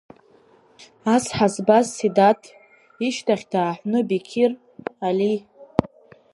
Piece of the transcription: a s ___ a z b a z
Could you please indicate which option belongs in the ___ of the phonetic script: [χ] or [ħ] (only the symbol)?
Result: ħ